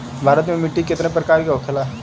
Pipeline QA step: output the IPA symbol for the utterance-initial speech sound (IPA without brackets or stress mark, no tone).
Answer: bʱ